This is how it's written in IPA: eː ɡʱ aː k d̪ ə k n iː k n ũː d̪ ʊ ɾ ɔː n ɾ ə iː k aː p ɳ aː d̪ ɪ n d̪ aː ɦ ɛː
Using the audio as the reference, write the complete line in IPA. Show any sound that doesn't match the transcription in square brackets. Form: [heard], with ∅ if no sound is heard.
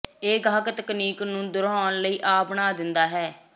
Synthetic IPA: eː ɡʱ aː k [t̪] ə k n iː k n ũː d̪ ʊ ɾ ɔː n [l] ə iː [ʔ] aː p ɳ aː d̪ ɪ n d̪ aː ɦ ɛː

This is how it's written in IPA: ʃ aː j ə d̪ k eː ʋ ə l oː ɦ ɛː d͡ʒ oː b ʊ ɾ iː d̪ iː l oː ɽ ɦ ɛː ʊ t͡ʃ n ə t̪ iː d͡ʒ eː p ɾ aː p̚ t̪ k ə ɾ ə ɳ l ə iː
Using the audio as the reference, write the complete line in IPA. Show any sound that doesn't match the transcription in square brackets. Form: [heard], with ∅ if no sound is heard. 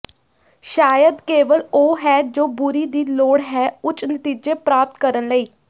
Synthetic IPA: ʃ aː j ə d̪ k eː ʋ ə l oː ɦ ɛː d͡ʒ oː b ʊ ɾ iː d̪ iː l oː ɽ ɦ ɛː ʊ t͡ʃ n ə t̪ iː d͡ʒ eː p ɾ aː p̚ t̪ k ə ɾ ə [n] l ə iː

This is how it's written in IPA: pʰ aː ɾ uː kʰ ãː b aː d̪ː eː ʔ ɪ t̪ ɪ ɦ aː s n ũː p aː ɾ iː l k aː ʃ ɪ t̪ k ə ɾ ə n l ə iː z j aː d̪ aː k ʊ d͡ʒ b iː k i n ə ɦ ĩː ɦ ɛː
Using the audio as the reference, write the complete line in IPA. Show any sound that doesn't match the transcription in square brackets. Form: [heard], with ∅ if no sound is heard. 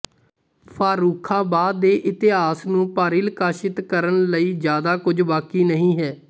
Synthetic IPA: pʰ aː ɾ uː kʰ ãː b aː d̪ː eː ʔ ɪ t̪ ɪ ɦ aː s n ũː p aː ɾ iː l k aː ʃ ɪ t̪ k ə ɾ ə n l ə iː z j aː d̪ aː k ʊ d͡ʒ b [aː] k [iː] n ə ɦ ĩː ɦ ɛː

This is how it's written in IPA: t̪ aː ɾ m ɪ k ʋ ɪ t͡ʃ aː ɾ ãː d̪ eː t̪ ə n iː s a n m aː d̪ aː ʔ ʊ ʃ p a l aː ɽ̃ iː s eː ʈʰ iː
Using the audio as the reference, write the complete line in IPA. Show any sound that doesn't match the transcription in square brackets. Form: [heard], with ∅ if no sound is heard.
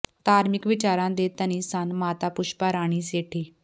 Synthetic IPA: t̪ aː ɾ m ɪ k ʋ ɪ t͡ʃ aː ɾ ãː d̪ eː t̪ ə n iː s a n m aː [t̪] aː [p] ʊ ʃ p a [ɾ] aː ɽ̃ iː s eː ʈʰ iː

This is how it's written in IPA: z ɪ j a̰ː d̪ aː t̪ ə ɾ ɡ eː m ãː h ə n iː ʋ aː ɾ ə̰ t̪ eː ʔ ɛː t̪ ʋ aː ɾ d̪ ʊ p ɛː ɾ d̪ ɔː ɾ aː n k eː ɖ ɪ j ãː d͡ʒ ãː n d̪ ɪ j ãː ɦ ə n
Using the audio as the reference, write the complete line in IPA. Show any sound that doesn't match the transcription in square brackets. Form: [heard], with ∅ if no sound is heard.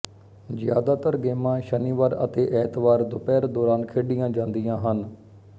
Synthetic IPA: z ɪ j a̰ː d̪ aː t̪ ə ɾ ɡ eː m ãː [ʃ] ə n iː ʋ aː ɾ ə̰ t̪ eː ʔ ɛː t̪ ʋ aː ɾ d̪ ʊ p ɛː ɾ d̪ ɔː ɾ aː n [kʰ] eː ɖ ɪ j ãː d͡ʒ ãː n d̪ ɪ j ãː ɦ ə n

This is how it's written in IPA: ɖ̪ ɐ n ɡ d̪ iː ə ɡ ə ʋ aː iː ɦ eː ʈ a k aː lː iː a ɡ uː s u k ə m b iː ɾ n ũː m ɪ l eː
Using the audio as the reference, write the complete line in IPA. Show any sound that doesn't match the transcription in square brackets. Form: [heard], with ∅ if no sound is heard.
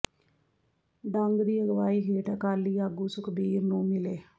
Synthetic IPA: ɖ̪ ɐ [ŋ] ɡ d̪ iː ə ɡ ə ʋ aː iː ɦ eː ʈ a k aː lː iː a ɡ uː s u k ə [∅] b iː ɾ n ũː m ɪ l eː

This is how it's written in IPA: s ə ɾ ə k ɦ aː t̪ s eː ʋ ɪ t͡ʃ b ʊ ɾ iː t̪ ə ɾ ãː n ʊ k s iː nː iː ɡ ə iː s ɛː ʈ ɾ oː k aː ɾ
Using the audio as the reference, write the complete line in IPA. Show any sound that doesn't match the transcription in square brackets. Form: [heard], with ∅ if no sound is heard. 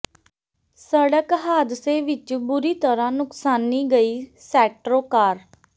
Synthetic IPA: s ə [ɽ] ə k ɦ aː [d̪] s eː ʋ ɪ t͡ʃ b ʊ ɾ iː t̪ ə ɾ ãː n ʊ k s [aː] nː iː ɡ ə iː s ɛː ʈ ɾ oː k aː ɾ

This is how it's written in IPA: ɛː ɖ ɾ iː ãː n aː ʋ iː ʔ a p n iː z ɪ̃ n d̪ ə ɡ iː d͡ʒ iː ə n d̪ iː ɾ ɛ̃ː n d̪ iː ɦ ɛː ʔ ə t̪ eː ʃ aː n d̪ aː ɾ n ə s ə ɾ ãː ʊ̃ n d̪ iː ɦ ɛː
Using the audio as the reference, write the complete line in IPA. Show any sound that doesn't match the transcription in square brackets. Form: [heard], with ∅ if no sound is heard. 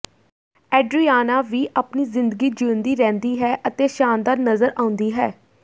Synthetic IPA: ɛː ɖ ɾ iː [aː] n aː ʋ iː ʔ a p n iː z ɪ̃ n d̪ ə ɡ iː d͡ʒ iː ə n d̪ iː ɾ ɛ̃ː n d̪ iː ɦ ɛː ʔ ə t̪ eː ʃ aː n d̪ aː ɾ n ə [z] ə ɾ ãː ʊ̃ n d̪ iː ɦ ɛː

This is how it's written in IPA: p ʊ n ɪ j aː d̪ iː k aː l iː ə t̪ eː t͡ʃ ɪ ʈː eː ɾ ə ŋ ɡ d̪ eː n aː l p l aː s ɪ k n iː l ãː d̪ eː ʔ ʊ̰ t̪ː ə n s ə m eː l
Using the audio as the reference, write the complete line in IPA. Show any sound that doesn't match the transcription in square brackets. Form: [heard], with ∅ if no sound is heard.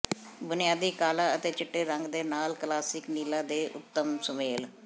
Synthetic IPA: [b] ʊ n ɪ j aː d̪ iː k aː l [aː] ə t̪ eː t͡ʃ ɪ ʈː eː ɾ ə ŋ ɡ d̪ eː n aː l [k] l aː s ɪ k n iː l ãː d̪ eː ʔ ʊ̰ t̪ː ə [m] s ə m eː l

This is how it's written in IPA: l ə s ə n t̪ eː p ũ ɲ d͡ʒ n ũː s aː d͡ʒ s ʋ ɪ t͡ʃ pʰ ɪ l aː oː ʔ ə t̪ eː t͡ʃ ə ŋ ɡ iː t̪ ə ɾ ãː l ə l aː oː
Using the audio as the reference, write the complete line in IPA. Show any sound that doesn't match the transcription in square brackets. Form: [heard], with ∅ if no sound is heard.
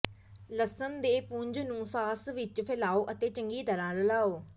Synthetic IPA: l ə s ə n [d̪] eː p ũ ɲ d͡ʒ n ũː s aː [∅] s ʋ ɪ t͡ʃ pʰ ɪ l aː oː ʔ ə t̪ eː t͡ʃ ə ŋ ɡ iː t̪ ə ɾ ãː l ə l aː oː

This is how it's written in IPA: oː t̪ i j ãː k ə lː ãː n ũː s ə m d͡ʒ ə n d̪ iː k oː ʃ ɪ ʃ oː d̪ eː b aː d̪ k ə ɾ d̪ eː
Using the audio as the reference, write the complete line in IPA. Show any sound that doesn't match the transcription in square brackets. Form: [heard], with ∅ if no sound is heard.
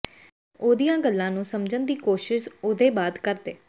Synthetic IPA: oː [d̪] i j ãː [ɡ] ə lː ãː n ũː s ə m d͡ʒ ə n d̪ iː k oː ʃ ɪ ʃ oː d̪ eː b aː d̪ k ə ɾ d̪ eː

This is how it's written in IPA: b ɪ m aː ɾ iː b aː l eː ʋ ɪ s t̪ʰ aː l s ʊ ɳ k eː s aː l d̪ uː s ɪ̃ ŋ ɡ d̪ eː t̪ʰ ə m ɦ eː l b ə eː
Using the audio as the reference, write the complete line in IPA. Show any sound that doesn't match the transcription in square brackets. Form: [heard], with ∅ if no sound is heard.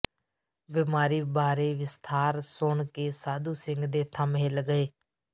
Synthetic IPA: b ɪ m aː ɾ iː b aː [ɾ] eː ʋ ɪ s t̪ʰ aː [ɾ] s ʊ ɳ k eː s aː [∅] d̪ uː s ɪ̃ ŋ ɡ d̪ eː t̪ʰ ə m ɦ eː l [ɡ] ə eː

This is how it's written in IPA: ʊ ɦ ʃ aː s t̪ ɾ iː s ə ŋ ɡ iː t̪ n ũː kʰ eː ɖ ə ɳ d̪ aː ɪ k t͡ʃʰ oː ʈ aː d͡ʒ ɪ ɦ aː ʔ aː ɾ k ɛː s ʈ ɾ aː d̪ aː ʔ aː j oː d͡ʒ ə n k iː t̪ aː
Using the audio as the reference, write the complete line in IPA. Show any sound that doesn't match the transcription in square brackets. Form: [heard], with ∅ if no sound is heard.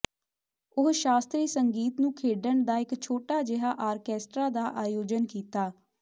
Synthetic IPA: ʊ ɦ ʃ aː s t̪ ɾ iː s ə ŋ ɡ iː t̪ n ũː kʰ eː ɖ ə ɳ d̪ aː ɪ k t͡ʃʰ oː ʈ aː d͡ʒ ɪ ɦ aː ʔ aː ɾ k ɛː s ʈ ɾ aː d̪ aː ʔ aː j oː d͡ʒ ə n k iː t̪ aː

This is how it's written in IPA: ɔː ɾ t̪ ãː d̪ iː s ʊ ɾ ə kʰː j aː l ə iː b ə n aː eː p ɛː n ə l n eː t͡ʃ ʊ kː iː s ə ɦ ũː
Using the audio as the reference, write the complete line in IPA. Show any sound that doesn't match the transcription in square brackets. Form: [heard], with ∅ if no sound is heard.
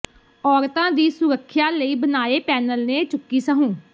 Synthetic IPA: ɔː ɾ t̪ ãː d̪ iː s ʊ ɾ ə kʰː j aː l ə iː b ə n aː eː p ɛː n ə l n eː t͡ʃ ʊ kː iː s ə ɦ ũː

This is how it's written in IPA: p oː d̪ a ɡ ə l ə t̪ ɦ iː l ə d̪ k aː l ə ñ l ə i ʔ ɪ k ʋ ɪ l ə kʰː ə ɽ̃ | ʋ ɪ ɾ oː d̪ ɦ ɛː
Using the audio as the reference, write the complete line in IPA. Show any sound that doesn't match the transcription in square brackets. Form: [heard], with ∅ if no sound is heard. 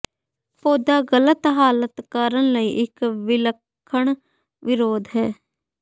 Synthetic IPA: p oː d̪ a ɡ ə l ə t̪ ɦ [aː] l ə [t̪] k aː [ɾ] ə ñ l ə i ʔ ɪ k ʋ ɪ l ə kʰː ə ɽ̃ | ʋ ɪ ɾ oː d̪ ɦ ɛː

